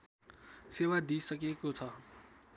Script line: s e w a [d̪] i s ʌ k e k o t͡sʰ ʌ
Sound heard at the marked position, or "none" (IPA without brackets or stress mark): d̪